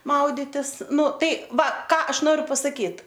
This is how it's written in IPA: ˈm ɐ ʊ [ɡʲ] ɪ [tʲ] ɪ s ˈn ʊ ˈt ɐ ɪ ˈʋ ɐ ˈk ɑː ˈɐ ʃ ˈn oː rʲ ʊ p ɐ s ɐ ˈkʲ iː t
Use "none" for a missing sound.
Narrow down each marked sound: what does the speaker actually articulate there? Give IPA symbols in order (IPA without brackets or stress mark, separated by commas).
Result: dʲ, tʲ